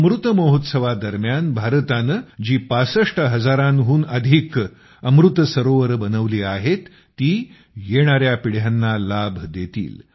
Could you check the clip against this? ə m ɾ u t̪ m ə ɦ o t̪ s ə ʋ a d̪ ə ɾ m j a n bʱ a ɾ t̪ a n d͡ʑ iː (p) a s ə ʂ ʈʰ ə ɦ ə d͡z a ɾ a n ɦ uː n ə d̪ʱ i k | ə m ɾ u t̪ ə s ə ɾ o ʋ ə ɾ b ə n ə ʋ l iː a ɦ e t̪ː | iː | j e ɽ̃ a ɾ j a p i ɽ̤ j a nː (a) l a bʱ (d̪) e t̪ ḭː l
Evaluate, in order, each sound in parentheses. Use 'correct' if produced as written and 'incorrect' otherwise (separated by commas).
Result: correct, correct, correct